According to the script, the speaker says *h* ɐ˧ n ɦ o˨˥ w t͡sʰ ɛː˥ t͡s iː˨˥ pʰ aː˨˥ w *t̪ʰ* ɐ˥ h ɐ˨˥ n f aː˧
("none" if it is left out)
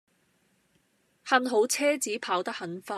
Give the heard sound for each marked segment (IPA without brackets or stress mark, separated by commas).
h, t̪